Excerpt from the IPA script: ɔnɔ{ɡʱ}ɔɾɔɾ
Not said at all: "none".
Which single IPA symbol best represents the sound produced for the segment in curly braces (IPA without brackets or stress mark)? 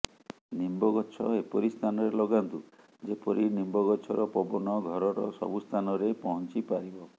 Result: ɡʱ